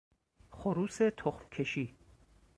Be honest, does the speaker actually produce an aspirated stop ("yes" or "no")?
yes